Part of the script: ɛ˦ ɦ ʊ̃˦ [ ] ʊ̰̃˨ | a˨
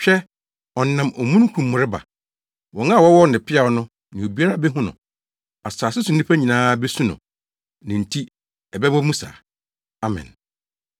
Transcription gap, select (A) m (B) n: B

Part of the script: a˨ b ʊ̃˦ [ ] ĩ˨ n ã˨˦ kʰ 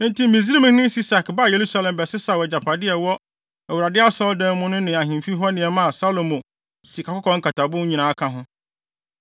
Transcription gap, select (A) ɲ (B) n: A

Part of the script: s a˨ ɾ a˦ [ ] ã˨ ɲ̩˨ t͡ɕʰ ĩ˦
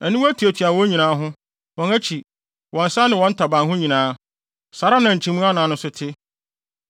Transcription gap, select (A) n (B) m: A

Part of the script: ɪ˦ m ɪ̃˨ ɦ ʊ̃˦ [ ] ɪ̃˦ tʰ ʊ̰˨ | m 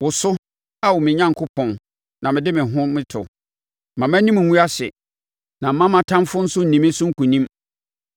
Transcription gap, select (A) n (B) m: B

